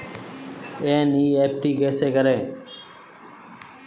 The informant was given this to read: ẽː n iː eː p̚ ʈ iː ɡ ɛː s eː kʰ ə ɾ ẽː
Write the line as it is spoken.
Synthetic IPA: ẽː n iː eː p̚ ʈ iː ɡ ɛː s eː k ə ɾ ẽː